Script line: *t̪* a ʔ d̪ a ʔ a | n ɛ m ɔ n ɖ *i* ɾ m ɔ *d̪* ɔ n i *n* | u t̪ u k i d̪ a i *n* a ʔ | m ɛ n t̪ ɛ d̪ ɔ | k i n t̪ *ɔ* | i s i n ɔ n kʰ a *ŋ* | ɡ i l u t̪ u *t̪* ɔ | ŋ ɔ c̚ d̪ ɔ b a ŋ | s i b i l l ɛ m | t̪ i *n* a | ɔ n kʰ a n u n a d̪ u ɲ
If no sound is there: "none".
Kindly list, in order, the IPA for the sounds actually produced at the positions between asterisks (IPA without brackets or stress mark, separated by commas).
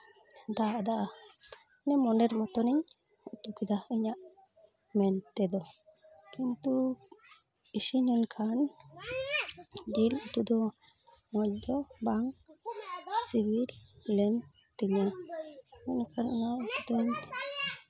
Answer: d̪, ɛ, t̪, ɲ, ɲ, u, n, d̪, ɲ